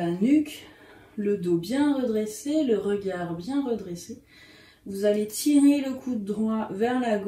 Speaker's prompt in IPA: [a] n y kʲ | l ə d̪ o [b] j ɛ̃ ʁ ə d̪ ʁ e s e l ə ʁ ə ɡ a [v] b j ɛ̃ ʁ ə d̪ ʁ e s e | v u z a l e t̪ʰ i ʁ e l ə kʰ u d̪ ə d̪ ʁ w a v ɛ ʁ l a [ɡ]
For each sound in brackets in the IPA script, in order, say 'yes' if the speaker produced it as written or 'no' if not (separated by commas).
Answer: yes, yes, no, yes